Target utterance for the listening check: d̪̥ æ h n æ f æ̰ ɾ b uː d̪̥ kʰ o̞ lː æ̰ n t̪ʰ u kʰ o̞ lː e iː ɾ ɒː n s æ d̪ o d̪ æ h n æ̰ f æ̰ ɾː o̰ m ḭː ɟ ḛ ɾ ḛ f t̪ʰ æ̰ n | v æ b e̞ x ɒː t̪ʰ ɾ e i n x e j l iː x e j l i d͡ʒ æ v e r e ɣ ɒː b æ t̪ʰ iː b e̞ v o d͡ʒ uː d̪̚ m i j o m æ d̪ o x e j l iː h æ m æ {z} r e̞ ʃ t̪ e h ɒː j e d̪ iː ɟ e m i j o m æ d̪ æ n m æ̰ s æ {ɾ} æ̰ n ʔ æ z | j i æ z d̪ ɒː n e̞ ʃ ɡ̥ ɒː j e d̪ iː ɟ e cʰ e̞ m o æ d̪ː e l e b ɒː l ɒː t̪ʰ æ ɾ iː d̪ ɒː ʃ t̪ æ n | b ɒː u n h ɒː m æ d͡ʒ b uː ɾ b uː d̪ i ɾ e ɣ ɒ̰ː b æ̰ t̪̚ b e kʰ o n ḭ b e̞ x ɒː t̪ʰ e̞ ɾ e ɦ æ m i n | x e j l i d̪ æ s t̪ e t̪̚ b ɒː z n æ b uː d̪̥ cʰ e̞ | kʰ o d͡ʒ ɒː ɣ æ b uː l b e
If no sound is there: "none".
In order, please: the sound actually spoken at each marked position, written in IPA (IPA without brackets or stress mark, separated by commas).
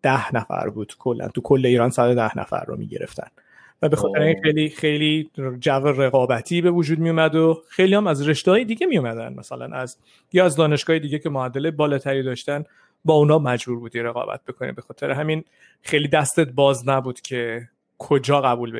z, l